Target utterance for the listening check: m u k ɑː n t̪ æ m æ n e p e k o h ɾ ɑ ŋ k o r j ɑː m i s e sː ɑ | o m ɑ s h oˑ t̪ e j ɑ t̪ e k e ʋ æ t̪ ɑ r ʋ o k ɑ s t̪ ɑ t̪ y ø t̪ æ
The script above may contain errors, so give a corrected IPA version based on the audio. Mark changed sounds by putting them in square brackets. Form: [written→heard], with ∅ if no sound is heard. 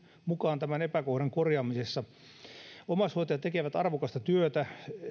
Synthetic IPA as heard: m u k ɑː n t̪ æ m æ n e p [e→æ] k o h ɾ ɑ ŋ k o r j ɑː m i s e sː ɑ | o m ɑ s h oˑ t̪ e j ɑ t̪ e k e ʋ æ t̪ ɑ r ʋ o k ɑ s t̪ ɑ t̪ y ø t̪ æ